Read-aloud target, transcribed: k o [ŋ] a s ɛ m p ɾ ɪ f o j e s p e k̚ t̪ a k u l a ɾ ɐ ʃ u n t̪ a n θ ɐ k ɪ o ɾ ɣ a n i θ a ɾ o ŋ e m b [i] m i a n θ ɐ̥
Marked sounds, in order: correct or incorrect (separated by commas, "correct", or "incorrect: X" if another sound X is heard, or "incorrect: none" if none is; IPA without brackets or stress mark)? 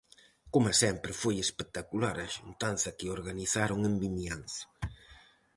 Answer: incorrect: m, correct